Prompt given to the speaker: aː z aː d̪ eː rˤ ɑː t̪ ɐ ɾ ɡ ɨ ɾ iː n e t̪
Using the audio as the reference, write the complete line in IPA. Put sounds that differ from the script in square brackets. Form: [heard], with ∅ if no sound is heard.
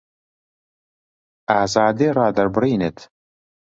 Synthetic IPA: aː z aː d̪ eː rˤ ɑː [d̪] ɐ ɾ [b] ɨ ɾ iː n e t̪

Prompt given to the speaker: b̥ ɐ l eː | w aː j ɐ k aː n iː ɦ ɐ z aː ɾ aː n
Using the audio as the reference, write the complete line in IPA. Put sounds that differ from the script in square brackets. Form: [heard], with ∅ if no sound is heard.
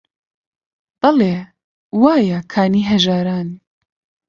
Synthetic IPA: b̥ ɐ l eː | w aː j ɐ [kʰ] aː n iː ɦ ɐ [ʒ] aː ɾ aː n

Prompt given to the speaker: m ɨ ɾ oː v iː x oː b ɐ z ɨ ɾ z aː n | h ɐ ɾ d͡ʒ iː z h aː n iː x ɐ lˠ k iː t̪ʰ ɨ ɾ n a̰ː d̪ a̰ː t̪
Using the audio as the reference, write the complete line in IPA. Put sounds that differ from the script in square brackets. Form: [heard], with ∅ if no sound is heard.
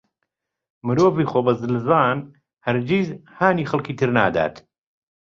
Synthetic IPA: m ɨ ɾ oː v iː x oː b ɐ z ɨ [l] z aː n | h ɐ ɾ d͡ʒ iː z h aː n iː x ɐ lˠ k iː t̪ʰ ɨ ɾ n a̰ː d̪ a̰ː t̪

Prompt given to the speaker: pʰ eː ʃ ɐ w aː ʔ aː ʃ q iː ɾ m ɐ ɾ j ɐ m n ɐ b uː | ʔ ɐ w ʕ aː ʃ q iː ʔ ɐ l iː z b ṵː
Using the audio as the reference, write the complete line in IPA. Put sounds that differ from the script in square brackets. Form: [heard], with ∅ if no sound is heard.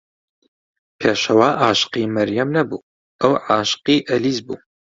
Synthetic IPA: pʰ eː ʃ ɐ w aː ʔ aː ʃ q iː [∅] m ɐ ɾ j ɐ m n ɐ b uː | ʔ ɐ w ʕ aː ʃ q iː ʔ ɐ l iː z b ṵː

